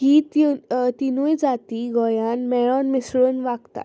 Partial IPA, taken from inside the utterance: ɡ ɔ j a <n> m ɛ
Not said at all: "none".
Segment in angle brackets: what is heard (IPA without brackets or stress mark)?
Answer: n